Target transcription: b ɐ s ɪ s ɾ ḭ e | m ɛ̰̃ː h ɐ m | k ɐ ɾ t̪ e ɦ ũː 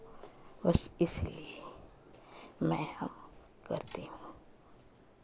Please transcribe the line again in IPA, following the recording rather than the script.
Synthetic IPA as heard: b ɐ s ɪ s l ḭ e | m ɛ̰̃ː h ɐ m | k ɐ ɾ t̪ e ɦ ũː